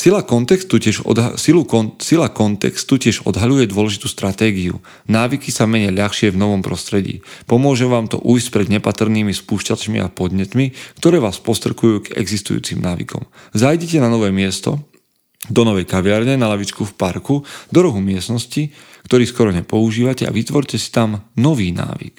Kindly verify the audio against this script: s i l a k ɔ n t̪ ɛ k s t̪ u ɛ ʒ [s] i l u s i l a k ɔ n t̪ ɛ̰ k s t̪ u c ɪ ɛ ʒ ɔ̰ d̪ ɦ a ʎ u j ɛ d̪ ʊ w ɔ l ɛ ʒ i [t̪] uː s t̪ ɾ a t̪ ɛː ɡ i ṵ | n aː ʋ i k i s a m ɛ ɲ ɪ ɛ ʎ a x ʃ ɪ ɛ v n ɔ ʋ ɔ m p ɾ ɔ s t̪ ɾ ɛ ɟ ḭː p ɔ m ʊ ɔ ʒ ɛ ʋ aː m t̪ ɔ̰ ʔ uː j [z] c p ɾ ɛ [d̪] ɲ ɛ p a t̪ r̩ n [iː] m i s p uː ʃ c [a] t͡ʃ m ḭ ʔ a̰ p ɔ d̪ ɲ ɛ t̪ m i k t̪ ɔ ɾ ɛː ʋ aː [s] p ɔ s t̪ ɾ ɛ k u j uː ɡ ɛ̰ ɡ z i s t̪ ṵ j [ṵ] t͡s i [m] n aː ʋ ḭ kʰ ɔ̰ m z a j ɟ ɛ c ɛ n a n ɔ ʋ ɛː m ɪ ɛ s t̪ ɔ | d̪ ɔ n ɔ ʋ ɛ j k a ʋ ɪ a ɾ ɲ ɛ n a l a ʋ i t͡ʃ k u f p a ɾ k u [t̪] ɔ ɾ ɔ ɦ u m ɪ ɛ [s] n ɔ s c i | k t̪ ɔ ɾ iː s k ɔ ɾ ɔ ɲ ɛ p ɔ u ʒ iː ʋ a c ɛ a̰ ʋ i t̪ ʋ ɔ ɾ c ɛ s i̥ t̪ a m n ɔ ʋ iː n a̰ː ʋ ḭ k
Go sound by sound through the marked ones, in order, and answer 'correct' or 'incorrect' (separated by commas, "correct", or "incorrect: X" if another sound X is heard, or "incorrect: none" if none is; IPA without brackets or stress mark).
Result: correct, correct, incorrect: s, correct, correct, correct, correct, incorrect: ṵː, correct, incorrect: d̪, correct